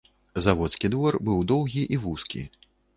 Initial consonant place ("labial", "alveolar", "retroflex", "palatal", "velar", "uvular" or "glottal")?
alveolar